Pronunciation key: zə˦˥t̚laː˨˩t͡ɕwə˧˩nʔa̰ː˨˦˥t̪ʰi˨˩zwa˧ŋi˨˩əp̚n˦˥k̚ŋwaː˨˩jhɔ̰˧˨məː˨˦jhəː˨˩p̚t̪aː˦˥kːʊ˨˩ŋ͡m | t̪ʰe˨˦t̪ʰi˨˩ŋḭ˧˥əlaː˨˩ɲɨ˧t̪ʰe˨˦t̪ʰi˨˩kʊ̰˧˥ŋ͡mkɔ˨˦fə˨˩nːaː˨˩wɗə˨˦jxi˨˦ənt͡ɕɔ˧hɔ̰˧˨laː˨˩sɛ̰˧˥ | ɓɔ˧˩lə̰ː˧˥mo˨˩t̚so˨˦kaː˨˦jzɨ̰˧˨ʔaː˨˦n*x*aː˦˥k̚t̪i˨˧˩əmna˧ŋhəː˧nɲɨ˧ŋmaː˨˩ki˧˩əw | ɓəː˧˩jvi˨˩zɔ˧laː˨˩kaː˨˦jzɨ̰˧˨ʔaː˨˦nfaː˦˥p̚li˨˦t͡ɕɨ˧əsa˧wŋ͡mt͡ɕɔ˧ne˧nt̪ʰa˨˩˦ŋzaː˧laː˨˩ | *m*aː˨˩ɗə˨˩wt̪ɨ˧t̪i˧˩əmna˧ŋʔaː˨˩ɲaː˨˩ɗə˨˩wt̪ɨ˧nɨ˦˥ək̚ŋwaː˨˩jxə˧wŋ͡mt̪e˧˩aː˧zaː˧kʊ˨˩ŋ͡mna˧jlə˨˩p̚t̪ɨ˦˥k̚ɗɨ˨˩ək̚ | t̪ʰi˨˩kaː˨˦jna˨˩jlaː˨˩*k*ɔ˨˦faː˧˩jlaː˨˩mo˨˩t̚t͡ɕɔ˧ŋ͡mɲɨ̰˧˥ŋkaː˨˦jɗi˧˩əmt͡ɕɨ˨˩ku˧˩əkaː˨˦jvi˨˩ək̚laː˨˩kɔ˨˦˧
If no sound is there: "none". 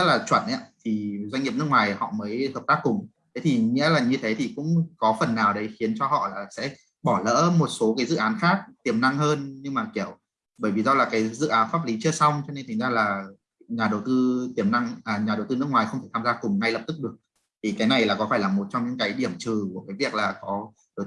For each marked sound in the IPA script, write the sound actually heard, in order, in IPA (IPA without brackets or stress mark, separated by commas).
x, ɲ, k